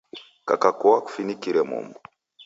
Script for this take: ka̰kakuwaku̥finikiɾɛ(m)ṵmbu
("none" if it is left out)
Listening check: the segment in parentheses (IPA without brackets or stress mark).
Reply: m